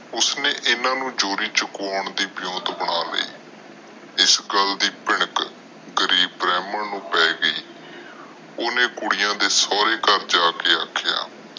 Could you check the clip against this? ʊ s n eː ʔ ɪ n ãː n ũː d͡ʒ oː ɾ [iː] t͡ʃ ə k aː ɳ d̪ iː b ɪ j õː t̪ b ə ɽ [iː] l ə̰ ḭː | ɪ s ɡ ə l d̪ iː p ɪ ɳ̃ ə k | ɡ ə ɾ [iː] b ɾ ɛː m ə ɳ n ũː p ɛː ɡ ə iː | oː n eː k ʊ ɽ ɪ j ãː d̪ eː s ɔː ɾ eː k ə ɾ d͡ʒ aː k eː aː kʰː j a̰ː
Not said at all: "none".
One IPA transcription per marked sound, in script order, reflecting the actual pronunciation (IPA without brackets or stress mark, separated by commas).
iː, aː, iː